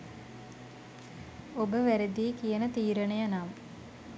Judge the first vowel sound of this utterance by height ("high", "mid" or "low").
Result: mid